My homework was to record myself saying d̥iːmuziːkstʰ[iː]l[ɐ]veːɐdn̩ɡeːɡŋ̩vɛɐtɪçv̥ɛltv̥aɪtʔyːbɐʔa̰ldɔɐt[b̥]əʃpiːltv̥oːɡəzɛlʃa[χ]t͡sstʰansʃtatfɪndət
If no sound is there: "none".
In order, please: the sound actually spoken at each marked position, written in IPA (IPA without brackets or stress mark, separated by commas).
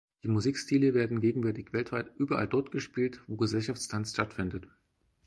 iː, ə, ɡ̥, f